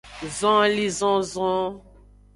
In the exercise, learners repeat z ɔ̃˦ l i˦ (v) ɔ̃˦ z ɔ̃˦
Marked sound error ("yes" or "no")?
yes